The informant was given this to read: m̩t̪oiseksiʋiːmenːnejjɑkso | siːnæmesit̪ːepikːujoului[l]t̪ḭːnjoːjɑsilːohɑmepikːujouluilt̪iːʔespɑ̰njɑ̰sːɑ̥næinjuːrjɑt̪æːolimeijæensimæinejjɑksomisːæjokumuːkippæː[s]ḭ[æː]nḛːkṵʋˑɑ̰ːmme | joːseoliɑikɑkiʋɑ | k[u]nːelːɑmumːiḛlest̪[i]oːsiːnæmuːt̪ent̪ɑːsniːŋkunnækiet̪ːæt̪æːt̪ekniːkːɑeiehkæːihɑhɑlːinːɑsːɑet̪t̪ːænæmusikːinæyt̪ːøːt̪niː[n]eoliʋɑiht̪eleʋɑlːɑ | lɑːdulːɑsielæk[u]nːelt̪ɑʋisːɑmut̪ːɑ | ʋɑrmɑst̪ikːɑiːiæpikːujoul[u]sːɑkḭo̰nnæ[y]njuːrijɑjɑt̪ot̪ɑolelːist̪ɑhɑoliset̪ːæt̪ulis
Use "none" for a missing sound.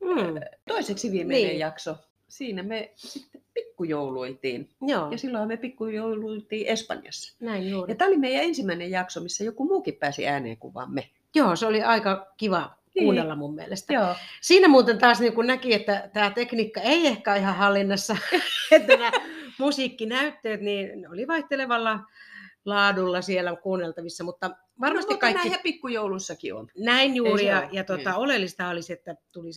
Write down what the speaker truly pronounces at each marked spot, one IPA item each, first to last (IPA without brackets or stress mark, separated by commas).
l, s, æː, uː, æ, n, uː, u, i